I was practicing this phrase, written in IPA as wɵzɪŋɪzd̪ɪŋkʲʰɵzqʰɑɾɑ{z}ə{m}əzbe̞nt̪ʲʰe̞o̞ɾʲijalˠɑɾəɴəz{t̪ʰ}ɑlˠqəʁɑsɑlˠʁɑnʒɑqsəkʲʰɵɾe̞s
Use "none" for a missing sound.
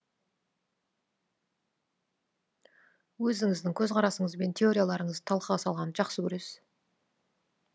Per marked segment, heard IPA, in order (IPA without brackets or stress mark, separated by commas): s, ɴ, t̪ʰ